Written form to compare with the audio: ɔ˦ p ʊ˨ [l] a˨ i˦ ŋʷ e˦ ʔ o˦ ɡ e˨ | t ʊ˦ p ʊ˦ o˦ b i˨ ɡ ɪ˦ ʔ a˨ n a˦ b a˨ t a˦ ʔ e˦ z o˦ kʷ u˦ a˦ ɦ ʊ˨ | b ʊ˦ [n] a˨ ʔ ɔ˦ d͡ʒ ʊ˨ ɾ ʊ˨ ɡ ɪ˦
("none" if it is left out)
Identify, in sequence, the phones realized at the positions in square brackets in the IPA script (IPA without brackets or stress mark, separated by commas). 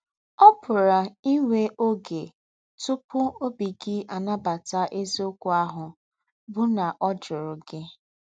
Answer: ɾ, n